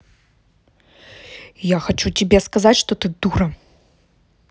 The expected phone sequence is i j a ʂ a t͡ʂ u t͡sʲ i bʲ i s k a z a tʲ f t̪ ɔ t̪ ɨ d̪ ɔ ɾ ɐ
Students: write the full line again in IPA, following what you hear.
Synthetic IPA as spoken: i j a x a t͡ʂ u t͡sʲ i bʲ ɛ s k a z a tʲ ʂ t̪ ɔ t̪ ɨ d̪ u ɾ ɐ